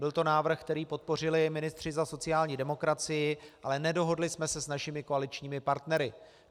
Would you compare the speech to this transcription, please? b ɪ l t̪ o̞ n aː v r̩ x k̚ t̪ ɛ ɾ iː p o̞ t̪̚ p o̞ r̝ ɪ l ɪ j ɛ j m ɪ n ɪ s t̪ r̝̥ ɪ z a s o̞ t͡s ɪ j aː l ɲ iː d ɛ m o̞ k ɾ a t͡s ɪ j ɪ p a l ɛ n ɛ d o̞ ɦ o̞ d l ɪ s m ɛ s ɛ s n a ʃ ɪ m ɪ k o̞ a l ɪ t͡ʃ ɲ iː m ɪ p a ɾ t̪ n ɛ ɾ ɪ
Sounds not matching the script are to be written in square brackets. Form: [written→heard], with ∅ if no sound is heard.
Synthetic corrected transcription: b ɪ l t̪ o̞ n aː v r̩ x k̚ t̪ ɛ ɾ iː p o̞ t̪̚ p o̞ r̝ ɪ l ɪ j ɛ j m ɪ n ɪ s t̪ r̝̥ ɪ z a s o̞ t͡s ɪ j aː l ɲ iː d ɛ m o̞ k ɾ a t͡s ɪ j ɪ [p→ʔ] a l ɛ n ɛ d o̞ ɦ o̞ d l ɪ s m ɛ s ɛ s n a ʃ ɪ m ɪ k o̞ a l ɪ t͡ʃ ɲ iː m ɪ p a ɾ t̪ n ɛ ɾ ɪ